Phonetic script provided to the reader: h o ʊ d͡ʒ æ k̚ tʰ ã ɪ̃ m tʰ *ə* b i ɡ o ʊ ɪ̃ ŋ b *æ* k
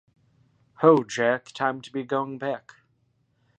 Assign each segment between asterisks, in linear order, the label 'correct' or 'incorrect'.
correct, correct

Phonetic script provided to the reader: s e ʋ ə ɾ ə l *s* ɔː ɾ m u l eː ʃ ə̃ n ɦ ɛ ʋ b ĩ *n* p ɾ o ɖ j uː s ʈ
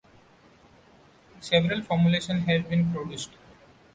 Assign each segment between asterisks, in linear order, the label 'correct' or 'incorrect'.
incorrect: f, correct

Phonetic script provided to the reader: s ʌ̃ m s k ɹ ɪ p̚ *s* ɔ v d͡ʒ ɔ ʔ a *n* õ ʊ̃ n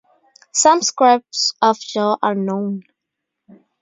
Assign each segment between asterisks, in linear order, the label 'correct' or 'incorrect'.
correct, correct

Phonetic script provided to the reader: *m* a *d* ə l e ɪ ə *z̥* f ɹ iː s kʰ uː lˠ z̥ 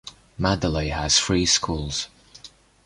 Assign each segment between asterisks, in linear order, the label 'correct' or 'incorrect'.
correct, correct, correct

